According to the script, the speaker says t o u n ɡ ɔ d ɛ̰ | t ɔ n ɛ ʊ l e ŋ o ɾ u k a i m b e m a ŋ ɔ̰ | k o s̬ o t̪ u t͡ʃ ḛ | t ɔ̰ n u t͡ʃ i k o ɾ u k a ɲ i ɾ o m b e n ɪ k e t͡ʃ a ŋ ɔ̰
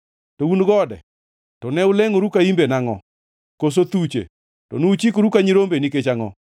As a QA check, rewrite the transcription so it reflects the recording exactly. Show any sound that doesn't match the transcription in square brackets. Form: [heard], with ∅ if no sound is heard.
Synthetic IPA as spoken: t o u n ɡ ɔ d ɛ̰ | t ɔ n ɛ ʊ l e ŋ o ɾ u k a i m b e [n] a ŋ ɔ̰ | k o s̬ o t̪ u t͡ʃ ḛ | t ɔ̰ n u t͡ʃ i k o ɾ u k a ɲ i ɾ o m b e n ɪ k e t͡ʃ a ŋ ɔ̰